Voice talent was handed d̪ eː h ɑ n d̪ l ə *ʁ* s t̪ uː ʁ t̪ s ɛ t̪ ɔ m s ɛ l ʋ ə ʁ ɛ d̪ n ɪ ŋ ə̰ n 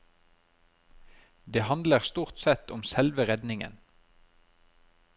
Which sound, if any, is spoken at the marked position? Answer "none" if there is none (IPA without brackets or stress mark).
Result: ʁ